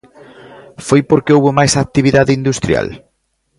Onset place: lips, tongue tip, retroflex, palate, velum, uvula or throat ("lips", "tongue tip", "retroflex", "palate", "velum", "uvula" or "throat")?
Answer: lips